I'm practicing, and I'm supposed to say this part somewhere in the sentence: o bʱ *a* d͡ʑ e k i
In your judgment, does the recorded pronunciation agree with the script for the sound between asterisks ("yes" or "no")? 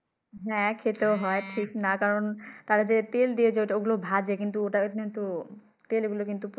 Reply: yes